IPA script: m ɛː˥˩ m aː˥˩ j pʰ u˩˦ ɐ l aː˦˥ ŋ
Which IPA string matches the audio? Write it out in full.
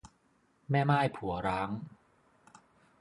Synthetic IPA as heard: m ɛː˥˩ m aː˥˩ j pʰ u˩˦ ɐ ɾ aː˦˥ ŋ